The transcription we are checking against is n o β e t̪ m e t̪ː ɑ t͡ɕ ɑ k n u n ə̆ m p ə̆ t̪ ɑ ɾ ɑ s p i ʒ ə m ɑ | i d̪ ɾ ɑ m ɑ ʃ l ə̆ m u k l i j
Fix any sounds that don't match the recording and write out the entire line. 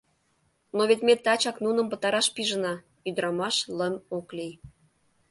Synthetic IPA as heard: n o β e t̪ m e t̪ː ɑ t͡ɕ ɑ k n u n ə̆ m p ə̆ t̪ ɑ ɾ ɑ ʃ p i ʒ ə n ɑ | y d̪ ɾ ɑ m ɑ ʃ l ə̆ m o k l i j

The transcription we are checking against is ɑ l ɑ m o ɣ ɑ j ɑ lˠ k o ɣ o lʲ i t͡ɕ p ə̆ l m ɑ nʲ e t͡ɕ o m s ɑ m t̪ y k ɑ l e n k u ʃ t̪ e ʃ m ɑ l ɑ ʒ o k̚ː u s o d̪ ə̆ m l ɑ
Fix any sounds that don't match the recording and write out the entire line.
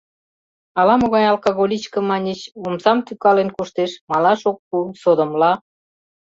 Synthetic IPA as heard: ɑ l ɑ m o ɣ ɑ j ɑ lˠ k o ɣ o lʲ i t͡ɕ k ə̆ m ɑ nʲ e t͡ɕ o m s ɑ m t̪ y k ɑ l e n k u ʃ t̪ e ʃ m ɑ l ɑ ʃ o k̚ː u s o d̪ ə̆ m l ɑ

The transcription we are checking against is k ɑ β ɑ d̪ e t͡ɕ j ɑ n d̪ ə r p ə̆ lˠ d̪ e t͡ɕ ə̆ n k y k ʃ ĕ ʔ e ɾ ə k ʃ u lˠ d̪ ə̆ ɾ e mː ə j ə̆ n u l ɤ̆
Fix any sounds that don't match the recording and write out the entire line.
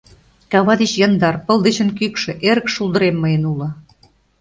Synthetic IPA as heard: k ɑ β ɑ d̪ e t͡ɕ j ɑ n d̪ ɑ r p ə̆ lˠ d̪ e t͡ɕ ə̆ n k y k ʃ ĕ ʔ e ɾ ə k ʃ u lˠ d̪ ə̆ ɾ e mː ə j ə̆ n u l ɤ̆

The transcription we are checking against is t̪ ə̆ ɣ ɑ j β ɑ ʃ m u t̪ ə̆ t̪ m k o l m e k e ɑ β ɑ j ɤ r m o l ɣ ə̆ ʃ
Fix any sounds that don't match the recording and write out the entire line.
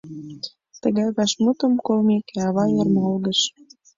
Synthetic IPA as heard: t̪ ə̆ ɣ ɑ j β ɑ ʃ m u t̪ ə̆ m k o l m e k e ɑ β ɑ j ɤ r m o l ɣ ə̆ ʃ

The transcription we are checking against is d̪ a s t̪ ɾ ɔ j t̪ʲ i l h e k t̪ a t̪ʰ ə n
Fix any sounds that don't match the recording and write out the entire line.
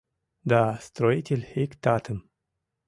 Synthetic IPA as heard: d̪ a s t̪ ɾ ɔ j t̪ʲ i l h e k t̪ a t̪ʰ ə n

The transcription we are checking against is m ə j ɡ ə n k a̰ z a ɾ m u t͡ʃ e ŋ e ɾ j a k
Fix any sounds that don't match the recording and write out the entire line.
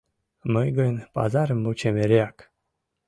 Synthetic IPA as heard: m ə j ɡ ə n p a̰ z a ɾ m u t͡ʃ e m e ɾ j a k

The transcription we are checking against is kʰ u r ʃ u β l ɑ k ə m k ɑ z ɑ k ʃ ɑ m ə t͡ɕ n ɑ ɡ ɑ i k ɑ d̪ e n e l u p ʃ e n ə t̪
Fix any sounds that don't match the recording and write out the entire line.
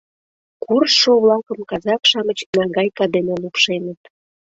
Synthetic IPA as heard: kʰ u r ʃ o β l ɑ k ə m k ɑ z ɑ k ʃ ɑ m ə t͡ɕ n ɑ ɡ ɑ j k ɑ d̪ e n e l u p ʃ e n ə t̪

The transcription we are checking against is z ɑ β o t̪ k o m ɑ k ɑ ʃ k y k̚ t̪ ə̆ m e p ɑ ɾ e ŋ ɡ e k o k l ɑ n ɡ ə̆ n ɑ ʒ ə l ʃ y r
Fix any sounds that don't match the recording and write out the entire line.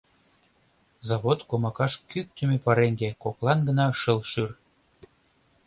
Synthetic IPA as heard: z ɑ β o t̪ k o m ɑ k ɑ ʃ k y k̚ t̪ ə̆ m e p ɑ ɾ e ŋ ɡ e k o k l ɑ n ɡ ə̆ n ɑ ʃ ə l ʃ y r

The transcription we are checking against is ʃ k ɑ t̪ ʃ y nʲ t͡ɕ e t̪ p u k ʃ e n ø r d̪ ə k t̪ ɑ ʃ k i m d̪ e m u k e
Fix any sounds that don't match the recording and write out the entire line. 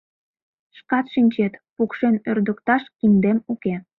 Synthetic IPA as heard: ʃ k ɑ t̪ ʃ i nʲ t͡ɕ e t̪ p u k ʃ e n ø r d̪ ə k t̪ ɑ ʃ k i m d̪ e m u k e

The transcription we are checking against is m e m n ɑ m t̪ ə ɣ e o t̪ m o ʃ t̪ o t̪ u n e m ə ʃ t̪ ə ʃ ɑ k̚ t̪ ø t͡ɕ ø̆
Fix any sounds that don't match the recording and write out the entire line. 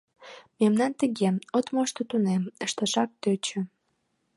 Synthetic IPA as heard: m e m n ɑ n t̪ ə ɣ e o t̪ m o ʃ t̪ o t̪ u n e m ə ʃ t̪ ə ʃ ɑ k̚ t̪ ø t͡ɕ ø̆

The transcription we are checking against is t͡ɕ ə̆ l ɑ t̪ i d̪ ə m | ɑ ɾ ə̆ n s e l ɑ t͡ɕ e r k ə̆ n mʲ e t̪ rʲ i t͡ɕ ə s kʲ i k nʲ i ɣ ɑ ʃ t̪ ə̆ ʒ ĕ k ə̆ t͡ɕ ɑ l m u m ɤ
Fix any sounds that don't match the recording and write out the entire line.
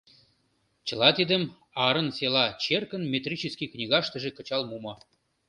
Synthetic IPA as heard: t͡ɕ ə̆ l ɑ t̪ i d̪ ə m | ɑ ɾ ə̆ n s e l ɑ t͡ɕ e r k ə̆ n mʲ e t̪ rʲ i t͡ɕ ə s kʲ i k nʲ i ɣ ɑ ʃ t̪ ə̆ ʒ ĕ k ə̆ t͡ɕ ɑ l m u m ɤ

